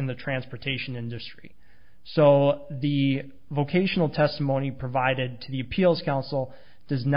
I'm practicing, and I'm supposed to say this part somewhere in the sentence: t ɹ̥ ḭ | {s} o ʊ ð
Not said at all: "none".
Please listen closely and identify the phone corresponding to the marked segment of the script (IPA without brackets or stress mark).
s